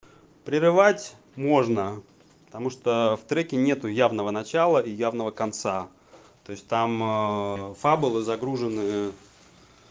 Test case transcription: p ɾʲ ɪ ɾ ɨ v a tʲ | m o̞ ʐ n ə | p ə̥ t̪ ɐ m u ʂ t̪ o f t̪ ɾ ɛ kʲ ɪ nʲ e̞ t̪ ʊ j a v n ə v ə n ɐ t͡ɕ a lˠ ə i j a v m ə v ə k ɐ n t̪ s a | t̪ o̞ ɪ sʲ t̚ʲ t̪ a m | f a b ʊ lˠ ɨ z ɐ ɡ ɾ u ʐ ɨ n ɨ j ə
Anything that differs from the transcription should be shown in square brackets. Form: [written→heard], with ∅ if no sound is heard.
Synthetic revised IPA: p ɾʲ ɪ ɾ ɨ v a tʲ | m o̞ ʐ n ə | p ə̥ t̪ ɐ m u ʂ t̪ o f t̪ ɾ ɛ kʲ ɪ nʲ e̞ t̪ ʊ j a v n ə v ə n ɐ t͡ɕ a lˠ ə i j a v [m→n] ə v ə k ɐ n t̪ s a | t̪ o̞ ɪ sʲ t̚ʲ t̪ a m | f a b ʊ lˠ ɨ z ɐ ɡ ɾ u ʐ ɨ n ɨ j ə